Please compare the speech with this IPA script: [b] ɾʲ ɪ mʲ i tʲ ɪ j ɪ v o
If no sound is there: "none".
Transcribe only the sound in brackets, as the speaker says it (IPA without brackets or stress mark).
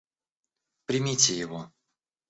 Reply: p